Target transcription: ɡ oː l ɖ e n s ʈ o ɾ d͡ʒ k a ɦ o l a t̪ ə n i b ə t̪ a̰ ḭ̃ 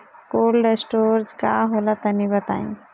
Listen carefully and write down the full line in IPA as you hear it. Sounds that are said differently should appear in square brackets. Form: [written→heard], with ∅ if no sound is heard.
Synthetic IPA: [ɡ→k] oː l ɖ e [n→∅] s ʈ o ɾ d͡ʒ k a ɦ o l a t̪ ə n i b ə t̪ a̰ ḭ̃